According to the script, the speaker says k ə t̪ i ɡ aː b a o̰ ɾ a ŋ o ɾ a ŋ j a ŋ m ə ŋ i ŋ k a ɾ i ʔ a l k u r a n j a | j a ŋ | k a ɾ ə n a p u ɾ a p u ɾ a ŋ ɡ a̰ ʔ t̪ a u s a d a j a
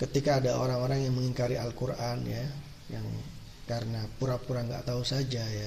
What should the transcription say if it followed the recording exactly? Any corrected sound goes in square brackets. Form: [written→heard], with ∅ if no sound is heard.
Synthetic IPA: k ə t̪ i [ɡ→k] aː [b→d] a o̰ ɾ a ŋ o ɾ a ŋ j a ŋ m ə ŋ i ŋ k a ɾ i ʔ a l k u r a n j a | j a ŋ | k a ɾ ə n a p u ɾ a p u ɾ a ŋ ɡ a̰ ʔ t̪ a u s a [d→d͡ʒ] a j a